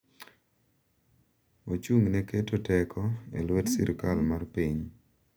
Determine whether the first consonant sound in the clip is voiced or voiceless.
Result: voiceless